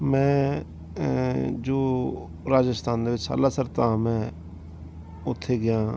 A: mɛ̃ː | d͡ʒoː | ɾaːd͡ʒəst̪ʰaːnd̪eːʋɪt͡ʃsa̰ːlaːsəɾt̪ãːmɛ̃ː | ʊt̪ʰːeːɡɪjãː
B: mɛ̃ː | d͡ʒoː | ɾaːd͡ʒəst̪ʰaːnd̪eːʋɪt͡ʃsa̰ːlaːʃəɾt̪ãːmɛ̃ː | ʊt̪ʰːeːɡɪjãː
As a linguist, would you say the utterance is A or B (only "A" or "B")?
A